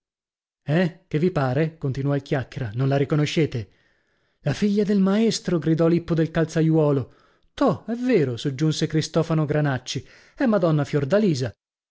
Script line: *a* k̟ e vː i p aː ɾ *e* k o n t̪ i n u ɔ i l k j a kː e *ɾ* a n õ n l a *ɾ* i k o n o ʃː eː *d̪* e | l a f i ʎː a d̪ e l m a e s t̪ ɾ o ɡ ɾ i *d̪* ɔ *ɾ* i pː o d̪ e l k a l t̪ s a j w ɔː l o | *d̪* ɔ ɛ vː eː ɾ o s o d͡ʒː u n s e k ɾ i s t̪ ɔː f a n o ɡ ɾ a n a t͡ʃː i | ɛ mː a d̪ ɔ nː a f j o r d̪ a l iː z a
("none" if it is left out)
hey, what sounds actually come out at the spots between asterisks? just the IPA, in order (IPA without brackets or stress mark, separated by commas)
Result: ɛ, e, ɾ, ɾ, t̪, d̪, l, t̪